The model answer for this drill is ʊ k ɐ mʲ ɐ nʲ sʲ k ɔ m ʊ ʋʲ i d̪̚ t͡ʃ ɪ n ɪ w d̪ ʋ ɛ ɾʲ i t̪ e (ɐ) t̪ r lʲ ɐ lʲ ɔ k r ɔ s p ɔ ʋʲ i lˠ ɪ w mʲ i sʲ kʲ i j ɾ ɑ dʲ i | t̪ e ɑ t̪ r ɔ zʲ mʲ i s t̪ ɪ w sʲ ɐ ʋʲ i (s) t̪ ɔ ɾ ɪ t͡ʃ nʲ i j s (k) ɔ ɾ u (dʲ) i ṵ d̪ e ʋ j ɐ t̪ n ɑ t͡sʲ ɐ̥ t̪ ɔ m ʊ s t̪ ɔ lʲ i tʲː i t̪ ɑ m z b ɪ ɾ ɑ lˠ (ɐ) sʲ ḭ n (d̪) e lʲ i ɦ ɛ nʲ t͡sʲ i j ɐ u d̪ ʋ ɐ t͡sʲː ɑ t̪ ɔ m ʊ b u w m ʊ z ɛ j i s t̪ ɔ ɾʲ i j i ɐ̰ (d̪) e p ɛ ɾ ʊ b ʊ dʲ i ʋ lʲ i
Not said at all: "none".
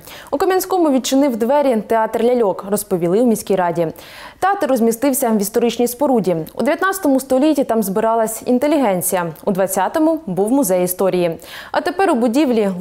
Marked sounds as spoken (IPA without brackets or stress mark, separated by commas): ɑ, s, p, dʲ, ɐ, t̪, t̪